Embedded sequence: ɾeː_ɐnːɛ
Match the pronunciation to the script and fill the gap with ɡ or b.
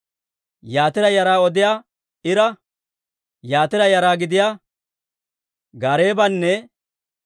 b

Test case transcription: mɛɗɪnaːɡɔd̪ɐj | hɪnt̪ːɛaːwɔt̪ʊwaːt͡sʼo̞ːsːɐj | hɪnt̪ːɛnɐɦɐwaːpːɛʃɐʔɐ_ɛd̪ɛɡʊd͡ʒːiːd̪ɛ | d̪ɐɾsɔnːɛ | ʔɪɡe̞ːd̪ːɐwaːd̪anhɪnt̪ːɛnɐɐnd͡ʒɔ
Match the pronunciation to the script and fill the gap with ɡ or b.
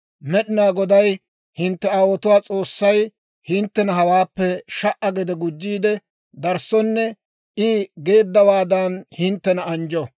ɡ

